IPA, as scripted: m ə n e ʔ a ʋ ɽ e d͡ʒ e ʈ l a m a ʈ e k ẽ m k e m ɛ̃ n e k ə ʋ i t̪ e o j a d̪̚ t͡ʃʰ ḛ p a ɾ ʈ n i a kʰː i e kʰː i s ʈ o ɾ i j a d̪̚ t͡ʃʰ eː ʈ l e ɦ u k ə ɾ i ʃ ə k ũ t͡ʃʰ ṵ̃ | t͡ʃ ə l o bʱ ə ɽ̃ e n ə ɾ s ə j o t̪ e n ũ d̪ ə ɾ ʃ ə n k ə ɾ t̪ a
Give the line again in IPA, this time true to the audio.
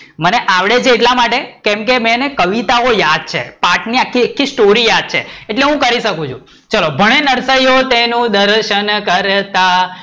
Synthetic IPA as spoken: m ə n e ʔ a ʋ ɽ e d͡ʒ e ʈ l a m a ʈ e k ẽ m k e m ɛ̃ n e k ə ʋ i t̪ a o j a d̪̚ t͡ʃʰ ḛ p a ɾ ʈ n i a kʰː i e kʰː i s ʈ o ɾ i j a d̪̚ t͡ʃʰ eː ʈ l e ɦ ũ k ə ɾ i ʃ ə k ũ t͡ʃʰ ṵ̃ | t͡ʃ ə l o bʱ ə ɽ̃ e n ə ɾ s ə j o t̪ e n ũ d̪ ə ɾ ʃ ə n k ə ɾ t̪ a